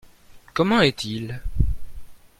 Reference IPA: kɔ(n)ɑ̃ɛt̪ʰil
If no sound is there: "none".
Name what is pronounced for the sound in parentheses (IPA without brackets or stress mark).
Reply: m